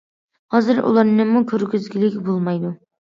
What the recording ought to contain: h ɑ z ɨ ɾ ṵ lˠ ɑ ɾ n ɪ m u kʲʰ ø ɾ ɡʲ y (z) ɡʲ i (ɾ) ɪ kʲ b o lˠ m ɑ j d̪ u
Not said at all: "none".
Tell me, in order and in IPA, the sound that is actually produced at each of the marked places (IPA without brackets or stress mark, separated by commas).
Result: z, l